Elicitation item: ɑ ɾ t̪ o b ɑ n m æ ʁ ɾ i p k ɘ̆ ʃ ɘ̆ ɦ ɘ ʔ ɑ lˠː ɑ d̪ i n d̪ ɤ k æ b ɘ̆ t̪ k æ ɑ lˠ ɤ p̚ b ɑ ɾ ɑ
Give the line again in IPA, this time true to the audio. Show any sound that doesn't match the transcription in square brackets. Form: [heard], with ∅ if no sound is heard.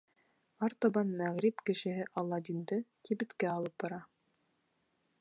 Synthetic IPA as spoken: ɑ ɾ t̪ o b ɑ n m æ ʁ ɾ i p k ɘ̆ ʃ ɘ̆ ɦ ɘ ʔ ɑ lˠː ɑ d̪ i n d̪ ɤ k [i] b ɘ̆ t̪ k æ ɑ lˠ ɤ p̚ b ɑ ɾ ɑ